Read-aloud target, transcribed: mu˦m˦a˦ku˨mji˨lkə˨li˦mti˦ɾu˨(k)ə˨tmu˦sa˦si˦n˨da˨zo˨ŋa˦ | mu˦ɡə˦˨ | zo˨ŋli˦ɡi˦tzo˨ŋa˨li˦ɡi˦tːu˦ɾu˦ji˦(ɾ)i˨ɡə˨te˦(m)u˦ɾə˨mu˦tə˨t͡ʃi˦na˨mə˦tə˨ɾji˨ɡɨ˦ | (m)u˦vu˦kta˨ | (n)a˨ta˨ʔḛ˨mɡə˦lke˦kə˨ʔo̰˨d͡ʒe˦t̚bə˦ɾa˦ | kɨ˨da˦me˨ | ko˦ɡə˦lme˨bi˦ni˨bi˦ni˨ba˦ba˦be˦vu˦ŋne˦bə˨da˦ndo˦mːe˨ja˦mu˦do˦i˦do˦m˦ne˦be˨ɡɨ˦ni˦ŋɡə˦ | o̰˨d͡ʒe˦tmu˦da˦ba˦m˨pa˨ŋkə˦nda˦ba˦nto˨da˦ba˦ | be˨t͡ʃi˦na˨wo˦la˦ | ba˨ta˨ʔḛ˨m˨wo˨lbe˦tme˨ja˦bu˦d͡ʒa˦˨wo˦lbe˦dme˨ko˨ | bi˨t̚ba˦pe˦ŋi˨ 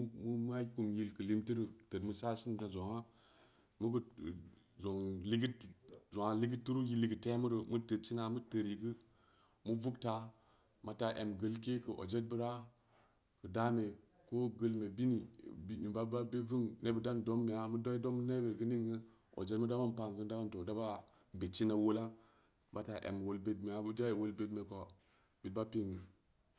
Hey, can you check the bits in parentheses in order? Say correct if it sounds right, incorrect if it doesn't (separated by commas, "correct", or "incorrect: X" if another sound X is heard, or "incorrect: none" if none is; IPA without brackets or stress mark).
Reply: incorrect: t, incorrect: l, correct, correct, incorrect: m